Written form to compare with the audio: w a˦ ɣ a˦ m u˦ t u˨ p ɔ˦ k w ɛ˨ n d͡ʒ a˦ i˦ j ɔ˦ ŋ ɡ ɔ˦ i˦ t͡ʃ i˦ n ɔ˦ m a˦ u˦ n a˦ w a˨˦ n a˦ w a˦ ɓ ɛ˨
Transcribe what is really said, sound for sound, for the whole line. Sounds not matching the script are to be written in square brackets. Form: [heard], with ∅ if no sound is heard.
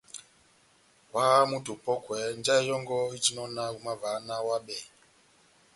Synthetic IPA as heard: w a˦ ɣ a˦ m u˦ t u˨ p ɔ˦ k w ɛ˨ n d͡ʒ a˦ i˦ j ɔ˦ ŋ ɡ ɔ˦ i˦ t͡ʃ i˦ n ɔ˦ [n] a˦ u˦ [m] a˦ [v] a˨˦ n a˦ w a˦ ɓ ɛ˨